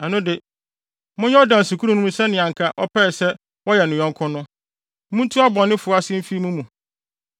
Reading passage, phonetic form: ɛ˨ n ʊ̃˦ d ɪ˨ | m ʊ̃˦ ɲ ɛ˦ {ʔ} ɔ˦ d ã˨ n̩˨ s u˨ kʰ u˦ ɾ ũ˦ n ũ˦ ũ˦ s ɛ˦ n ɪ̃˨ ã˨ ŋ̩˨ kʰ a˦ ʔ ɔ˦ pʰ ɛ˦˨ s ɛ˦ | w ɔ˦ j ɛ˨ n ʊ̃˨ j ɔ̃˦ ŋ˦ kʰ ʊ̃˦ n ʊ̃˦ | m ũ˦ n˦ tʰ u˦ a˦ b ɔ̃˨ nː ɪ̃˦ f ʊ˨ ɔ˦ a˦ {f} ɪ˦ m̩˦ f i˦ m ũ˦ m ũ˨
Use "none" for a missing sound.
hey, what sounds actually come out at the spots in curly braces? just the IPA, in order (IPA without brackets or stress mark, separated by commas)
none, s